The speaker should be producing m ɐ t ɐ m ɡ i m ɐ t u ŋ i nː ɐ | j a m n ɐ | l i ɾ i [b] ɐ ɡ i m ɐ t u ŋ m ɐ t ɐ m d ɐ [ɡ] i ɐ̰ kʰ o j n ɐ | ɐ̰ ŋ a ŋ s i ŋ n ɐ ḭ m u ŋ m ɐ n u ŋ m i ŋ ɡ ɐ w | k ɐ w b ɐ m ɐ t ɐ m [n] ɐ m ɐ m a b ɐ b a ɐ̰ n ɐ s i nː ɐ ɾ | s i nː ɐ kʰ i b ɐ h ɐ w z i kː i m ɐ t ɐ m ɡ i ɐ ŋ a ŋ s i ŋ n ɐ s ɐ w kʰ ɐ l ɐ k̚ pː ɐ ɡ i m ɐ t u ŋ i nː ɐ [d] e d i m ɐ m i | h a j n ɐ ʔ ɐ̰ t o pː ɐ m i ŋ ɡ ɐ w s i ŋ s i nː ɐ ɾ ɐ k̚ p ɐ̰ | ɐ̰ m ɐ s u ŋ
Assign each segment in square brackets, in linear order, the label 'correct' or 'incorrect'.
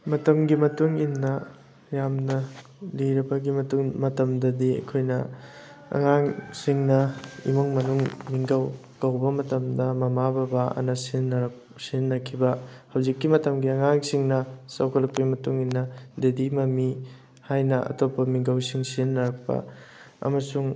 correct, incorrect: d, incorrect: d, correct

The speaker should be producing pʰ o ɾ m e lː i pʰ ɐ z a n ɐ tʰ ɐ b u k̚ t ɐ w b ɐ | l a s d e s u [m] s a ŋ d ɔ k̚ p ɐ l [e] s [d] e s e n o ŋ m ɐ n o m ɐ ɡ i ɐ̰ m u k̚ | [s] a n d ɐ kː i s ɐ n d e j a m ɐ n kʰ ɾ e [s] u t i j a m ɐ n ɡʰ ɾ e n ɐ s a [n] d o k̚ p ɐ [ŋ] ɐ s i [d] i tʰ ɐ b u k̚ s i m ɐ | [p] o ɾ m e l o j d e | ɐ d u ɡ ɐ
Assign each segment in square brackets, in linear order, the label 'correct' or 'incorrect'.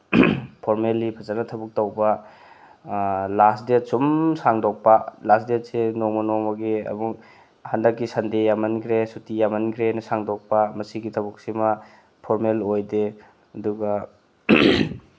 correct, incorrect: a, correct, incorrect: h, correct, incorrect: ŋ, incorrect: m, incorrect: ɡ, incorrect: pʰ

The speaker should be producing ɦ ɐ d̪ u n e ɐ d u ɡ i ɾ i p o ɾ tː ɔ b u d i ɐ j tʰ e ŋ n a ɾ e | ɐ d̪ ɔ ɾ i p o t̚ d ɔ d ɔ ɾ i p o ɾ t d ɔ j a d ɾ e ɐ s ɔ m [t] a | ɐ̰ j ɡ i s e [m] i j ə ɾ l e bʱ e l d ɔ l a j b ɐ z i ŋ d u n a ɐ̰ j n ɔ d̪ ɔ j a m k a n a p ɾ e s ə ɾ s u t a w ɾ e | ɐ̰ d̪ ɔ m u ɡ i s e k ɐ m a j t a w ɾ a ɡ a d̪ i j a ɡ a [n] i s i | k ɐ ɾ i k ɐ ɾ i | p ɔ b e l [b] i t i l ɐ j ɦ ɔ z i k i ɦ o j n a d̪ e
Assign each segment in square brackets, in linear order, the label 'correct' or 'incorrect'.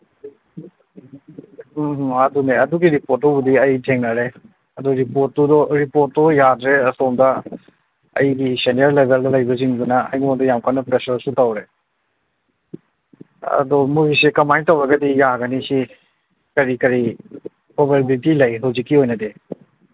incorrect: d, incorrect: n, correct, correct

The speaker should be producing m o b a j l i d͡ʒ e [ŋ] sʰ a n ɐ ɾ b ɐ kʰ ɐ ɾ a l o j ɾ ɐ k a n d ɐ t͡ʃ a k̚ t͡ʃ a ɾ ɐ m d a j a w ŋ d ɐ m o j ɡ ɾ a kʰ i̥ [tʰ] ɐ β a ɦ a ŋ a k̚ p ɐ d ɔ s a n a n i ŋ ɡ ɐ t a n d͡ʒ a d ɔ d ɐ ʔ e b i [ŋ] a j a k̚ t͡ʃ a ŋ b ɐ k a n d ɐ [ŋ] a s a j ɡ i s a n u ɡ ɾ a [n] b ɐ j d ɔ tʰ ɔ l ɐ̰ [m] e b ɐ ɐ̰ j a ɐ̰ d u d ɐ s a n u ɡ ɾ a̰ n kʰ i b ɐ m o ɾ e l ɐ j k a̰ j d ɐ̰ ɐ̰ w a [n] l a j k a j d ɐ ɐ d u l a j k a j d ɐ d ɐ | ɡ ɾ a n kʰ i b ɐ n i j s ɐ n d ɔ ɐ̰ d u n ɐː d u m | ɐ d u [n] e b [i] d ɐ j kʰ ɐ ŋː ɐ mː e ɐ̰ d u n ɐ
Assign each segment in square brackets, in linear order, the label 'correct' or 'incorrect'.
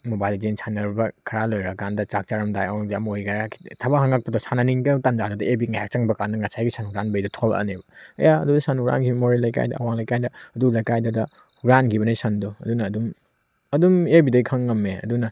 incorrect: n, correct, correct, correct, correct, incorrect: n, incorrect: ŋ, incorrect: m, correct

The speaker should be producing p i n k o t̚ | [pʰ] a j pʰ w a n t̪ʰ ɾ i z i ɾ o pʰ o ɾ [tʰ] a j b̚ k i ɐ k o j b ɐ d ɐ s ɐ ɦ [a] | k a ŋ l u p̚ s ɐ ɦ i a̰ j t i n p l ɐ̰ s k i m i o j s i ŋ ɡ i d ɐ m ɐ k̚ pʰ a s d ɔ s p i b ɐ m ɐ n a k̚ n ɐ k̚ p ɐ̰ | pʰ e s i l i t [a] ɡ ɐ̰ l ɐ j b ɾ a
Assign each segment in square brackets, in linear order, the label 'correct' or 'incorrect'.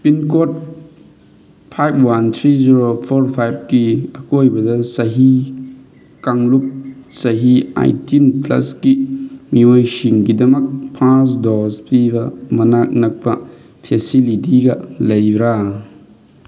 correct, incorrect: pʰ, incorrect: i, incorrect: i

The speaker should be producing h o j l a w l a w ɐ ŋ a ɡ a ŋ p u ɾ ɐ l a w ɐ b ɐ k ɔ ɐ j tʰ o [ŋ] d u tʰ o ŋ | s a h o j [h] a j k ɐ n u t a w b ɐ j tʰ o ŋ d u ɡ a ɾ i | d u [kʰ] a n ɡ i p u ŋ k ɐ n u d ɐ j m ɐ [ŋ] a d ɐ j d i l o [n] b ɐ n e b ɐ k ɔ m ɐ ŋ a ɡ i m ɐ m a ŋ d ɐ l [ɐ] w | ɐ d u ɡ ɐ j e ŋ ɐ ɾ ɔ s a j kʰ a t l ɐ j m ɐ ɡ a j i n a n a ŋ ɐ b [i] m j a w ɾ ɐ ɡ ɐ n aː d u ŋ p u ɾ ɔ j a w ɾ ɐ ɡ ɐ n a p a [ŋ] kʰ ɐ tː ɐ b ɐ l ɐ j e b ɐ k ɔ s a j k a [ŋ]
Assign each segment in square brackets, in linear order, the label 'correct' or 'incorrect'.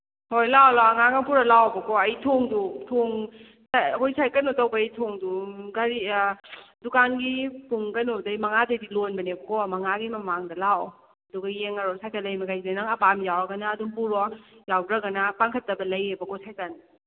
correct, incorrect: s, incorrect: k, correct, correct, incorrect: a, incorrect: a, correct, incorrect: n

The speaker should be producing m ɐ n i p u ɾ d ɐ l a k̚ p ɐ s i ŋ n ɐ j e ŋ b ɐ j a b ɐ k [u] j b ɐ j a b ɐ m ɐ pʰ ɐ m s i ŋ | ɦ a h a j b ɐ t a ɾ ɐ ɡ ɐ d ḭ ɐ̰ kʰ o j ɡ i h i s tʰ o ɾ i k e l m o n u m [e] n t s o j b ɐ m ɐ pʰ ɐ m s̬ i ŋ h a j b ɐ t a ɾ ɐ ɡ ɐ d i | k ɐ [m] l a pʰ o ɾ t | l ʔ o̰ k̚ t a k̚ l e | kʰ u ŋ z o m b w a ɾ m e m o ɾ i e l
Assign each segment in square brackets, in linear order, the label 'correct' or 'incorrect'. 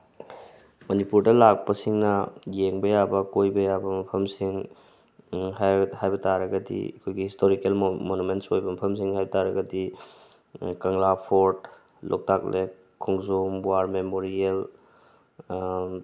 incorrect: o, correct, incorrect: ŋ

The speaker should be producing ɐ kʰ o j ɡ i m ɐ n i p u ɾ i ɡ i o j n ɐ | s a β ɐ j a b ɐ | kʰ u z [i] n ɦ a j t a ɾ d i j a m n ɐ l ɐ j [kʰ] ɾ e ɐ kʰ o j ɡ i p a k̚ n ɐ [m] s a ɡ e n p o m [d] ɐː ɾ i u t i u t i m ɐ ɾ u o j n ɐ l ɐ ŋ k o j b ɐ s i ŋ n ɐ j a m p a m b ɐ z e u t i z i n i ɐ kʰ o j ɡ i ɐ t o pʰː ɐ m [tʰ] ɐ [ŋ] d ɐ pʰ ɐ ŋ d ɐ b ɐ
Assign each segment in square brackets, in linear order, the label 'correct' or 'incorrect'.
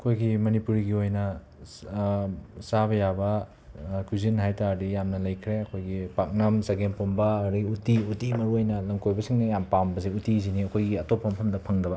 correct, correct, correct, incorrect: b, incorrect: pʰ, incorrect: m

